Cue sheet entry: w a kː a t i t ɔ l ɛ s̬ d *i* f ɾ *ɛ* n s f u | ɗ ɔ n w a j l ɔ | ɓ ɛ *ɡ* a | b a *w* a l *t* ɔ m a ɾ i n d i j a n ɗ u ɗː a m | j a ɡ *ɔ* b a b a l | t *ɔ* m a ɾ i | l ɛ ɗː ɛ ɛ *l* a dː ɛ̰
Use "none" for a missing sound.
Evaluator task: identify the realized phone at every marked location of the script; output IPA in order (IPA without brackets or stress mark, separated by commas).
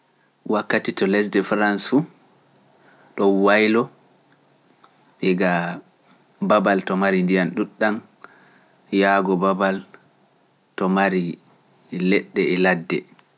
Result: ɛ, a, ɡ, b, t, ɔ, ɔ, l